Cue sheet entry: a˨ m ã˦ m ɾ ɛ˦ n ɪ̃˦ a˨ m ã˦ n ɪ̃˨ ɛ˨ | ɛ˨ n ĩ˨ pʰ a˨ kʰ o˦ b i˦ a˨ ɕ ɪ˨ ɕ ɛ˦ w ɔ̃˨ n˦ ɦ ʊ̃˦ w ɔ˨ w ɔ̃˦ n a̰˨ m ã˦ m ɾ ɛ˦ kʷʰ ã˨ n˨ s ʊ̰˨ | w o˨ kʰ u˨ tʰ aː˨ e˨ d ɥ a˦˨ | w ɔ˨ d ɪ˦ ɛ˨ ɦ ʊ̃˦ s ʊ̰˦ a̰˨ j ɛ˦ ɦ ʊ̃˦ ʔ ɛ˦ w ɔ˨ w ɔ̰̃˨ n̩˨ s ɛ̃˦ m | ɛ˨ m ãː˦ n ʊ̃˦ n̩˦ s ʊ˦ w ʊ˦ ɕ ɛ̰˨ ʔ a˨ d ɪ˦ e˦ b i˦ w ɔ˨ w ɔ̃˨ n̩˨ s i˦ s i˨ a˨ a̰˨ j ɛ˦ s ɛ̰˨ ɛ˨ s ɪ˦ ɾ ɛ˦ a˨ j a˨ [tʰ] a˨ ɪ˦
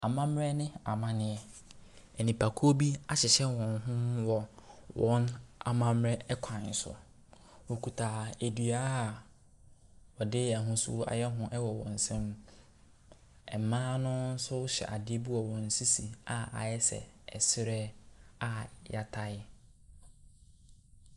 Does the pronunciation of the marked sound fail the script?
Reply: no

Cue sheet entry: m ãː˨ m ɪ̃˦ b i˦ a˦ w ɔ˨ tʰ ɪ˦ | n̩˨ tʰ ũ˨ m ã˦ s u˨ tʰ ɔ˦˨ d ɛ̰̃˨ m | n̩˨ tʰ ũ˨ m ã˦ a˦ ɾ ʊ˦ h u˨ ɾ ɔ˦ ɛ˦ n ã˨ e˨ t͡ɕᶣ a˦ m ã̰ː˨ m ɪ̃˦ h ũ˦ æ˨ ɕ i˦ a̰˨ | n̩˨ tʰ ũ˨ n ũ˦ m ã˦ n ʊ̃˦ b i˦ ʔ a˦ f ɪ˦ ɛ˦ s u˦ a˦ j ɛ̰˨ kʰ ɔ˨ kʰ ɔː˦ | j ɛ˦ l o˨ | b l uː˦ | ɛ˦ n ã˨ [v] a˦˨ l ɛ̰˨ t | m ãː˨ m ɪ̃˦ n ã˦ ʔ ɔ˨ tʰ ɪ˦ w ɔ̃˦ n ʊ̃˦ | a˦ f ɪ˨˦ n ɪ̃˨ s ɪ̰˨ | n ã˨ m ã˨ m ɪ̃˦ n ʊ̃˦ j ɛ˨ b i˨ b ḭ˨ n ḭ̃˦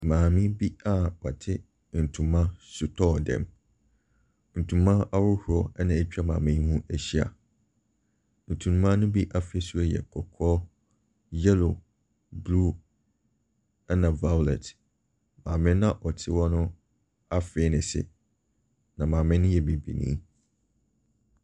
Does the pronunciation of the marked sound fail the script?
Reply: no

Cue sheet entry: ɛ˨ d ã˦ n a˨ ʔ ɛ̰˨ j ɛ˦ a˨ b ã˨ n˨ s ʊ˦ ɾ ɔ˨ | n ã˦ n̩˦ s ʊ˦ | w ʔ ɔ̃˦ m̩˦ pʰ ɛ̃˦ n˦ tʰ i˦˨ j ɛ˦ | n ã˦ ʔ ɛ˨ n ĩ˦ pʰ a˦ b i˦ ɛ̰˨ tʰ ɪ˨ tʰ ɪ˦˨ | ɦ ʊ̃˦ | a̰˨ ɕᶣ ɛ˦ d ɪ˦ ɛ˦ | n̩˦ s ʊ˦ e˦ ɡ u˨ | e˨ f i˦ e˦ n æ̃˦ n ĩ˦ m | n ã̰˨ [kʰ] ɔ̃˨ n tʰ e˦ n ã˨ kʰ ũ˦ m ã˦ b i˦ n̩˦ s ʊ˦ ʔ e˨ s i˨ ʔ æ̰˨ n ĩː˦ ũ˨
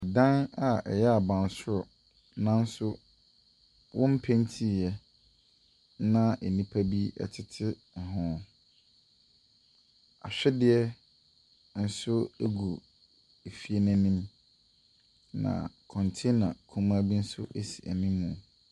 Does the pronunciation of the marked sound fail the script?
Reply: no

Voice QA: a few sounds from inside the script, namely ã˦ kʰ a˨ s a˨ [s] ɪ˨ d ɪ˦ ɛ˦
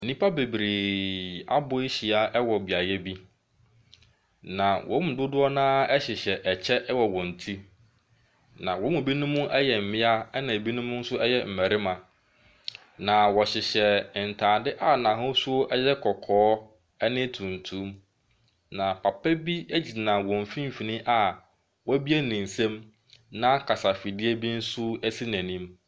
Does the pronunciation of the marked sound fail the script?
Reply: yes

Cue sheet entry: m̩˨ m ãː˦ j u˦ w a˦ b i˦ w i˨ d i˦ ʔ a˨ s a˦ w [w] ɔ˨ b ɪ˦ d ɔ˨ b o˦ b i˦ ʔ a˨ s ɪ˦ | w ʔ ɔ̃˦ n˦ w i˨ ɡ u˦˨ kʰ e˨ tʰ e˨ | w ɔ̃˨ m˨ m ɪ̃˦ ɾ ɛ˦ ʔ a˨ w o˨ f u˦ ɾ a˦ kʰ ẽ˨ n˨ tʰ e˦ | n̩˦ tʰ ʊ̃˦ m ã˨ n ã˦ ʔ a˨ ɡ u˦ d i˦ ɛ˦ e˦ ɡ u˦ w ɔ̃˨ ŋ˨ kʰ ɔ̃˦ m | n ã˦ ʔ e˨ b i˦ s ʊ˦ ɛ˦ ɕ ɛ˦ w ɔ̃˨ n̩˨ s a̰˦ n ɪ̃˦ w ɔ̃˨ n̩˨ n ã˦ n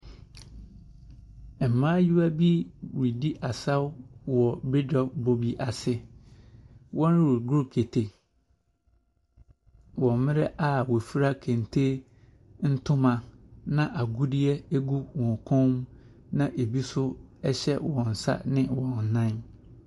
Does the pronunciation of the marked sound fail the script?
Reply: no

